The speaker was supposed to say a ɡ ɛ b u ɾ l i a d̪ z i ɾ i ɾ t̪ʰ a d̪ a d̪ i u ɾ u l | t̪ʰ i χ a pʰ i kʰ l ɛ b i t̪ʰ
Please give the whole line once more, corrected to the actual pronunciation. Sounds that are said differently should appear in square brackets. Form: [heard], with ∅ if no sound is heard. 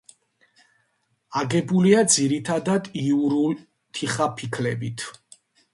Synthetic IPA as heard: a ɡ ɛ b u [∅] l i a d̪ z i ɾ i [∅] t̪ʰ a d̪ a d̪ i u ɾ u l | t̪ʰ i χ a pʰ i kʰ l ɛ b i t̪ʰ